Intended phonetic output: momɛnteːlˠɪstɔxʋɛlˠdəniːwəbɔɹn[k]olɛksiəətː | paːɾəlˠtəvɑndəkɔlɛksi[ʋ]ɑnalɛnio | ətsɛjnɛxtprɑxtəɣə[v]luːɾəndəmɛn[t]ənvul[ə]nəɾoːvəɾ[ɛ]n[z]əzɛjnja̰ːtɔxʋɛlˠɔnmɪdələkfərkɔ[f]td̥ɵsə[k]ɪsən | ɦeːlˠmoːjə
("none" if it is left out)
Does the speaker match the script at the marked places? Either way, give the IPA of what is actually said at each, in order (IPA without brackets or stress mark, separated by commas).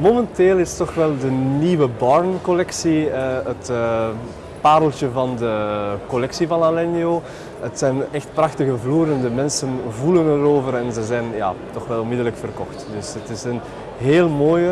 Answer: k, v, v, s, ə, ɛ, z, x, t